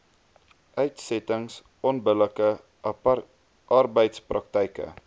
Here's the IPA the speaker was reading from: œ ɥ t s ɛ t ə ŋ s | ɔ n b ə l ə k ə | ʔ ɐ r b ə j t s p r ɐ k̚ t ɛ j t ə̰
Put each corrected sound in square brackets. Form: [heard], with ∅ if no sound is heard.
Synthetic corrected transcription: œ ɥ t s ɛ t ə ŋ s | ɔ n b ə l ə k ə | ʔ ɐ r b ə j t s p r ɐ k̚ t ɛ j [k] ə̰